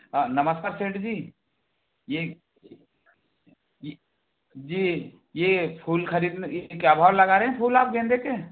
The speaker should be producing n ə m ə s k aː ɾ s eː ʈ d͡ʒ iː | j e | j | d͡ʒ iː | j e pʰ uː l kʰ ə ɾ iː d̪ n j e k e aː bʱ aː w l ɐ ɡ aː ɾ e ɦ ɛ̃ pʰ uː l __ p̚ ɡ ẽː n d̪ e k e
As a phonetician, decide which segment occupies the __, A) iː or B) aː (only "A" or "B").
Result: B